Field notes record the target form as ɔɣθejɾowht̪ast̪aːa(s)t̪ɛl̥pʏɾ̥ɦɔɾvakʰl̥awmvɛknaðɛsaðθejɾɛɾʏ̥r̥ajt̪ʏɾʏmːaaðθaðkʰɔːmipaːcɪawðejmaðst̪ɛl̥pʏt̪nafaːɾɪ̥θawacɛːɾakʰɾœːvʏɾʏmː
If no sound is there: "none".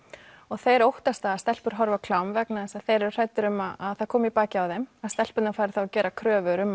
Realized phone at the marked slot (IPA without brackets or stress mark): s